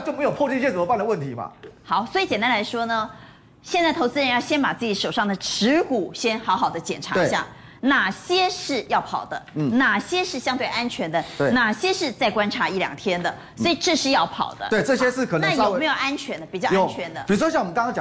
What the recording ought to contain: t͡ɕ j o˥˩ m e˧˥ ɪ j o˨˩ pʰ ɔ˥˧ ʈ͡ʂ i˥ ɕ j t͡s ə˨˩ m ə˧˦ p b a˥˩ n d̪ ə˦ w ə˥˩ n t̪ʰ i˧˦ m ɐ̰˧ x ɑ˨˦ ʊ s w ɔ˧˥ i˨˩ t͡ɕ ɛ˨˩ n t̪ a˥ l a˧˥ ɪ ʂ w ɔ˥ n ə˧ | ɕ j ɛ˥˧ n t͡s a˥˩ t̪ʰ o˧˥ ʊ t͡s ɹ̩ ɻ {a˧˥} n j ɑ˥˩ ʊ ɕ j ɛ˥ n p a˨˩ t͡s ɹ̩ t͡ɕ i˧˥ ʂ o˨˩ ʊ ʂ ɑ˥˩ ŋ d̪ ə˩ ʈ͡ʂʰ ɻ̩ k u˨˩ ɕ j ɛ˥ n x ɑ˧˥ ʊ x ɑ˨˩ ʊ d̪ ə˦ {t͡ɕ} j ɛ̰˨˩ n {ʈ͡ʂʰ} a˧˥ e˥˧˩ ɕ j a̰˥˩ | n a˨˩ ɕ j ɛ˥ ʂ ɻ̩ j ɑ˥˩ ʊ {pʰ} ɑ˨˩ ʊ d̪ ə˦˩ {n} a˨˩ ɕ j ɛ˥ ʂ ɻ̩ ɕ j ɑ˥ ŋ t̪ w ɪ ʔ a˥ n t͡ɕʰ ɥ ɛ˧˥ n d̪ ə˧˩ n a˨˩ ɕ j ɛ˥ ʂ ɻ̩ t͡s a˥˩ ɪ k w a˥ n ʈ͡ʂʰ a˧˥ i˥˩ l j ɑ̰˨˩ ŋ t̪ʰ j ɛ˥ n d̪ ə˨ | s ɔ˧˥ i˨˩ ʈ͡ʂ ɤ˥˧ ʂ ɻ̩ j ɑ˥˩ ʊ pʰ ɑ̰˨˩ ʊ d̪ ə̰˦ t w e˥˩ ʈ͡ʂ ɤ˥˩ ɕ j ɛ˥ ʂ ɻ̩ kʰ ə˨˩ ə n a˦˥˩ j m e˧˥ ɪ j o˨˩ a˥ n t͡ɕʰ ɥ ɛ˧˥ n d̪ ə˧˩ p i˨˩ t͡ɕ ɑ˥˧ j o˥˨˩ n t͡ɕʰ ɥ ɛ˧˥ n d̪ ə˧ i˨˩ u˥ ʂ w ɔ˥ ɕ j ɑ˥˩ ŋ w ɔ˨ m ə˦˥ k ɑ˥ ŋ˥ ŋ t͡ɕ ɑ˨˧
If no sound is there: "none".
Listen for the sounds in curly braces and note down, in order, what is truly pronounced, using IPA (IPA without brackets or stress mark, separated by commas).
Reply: ə˧˥, t͡ɕ, ʈ͡ʂʰ, pʰ, n